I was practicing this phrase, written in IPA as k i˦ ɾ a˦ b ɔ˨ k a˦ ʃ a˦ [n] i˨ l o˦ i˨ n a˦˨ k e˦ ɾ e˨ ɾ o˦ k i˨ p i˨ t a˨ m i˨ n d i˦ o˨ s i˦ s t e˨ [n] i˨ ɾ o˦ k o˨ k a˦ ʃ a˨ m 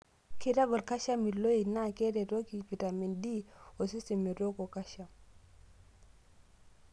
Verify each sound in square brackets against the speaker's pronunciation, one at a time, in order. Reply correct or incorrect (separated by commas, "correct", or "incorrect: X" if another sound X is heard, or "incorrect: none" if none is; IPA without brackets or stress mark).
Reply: incorrect: m, incorrect: m